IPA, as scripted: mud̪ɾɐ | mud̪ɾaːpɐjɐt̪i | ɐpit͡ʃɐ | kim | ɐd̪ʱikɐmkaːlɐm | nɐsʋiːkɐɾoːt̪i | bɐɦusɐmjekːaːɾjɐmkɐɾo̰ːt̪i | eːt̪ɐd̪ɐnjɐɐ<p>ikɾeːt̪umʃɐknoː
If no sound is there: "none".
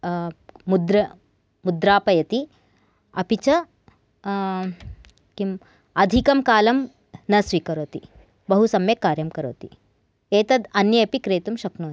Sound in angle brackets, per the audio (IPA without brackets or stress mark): p